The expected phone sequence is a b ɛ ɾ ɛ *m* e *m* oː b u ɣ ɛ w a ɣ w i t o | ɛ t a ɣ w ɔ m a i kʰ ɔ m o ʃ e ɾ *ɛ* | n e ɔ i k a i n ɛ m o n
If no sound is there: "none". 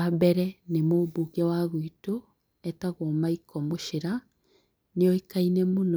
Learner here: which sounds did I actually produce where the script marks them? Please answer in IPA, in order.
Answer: n, m, a

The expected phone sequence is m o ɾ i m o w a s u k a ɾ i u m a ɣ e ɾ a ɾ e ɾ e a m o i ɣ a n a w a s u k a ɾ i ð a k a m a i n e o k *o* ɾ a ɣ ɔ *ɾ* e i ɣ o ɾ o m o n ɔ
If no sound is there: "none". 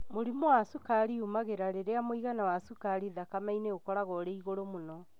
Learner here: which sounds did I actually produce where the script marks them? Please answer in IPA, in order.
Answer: ɔ, ɾ

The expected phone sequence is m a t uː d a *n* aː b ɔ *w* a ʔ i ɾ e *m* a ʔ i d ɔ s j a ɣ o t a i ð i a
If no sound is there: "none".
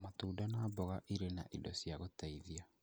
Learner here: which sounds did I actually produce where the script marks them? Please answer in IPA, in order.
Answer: n, ɣ, n

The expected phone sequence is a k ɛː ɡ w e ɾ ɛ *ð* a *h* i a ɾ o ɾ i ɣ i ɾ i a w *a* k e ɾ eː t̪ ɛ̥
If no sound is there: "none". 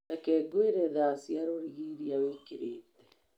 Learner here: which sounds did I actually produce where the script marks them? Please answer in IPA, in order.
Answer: ð, s, e

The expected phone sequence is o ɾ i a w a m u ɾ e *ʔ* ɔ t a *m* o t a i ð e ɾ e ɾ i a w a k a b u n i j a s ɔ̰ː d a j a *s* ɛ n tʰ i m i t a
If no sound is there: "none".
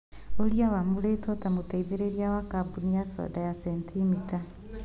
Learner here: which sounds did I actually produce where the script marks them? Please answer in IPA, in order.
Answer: t, m, s

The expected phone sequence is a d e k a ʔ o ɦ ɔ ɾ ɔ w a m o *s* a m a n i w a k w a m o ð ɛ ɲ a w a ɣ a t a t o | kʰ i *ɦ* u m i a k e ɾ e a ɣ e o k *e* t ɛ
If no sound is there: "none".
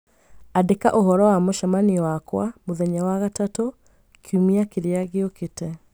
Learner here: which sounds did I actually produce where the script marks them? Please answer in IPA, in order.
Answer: ʃ, none, e

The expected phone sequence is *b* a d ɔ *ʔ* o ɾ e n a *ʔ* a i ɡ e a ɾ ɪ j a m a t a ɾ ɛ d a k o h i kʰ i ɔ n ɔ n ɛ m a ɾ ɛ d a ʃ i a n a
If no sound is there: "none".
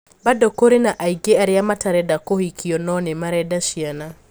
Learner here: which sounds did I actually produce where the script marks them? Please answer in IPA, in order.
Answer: b, k, ʔ

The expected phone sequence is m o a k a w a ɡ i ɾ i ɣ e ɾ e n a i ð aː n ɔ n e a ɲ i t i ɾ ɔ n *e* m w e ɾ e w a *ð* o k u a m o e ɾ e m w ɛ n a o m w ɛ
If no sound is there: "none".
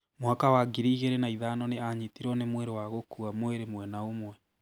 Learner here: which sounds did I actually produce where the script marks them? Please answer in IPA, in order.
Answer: e, ɣ

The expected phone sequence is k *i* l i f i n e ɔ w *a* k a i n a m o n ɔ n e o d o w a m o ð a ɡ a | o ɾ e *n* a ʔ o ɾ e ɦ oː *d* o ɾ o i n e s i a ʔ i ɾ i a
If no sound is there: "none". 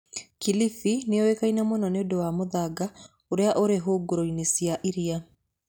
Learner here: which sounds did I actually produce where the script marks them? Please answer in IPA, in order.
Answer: i, e, none, ɡ

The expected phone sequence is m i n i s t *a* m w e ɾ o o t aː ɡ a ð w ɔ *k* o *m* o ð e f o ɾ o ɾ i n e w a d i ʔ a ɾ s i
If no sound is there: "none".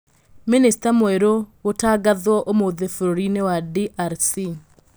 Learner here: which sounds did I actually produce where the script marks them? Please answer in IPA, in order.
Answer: a, ʔ, m

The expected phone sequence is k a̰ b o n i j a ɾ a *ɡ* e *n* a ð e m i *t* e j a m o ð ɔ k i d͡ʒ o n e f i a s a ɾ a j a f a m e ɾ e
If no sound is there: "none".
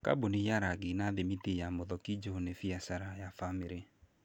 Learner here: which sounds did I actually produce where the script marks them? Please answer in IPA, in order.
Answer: ɡ, n, t

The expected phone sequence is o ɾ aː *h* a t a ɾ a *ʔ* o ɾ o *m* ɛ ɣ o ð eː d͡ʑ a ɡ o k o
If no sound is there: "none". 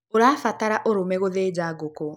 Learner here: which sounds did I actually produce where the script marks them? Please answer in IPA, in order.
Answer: f, ʔ, m

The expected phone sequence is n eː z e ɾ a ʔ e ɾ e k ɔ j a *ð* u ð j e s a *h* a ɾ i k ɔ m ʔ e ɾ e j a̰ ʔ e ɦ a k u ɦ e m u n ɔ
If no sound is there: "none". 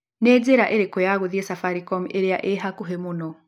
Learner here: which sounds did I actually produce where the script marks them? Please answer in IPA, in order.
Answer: ɣ, f

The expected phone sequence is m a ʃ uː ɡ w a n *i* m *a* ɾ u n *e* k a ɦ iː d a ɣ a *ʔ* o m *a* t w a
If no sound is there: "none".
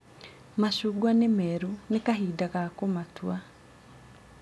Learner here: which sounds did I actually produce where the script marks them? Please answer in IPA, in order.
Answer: e, ɛ, e, k, a

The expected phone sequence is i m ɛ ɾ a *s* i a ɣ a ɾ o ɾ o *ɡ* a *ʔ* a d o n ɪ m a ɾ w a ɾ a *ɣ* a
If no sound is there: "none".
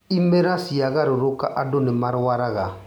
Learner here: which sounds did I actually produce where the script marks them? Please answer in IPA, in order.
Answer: s, k, ʔ, ɣ

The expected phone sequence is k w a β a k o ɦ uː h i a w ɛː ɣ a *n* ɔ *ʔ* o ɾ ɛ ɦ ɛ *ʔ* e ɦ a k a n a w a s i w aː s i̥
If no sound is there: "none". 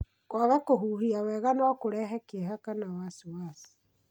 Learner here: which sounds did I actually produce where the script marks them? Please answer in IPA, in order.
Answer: n, k, k

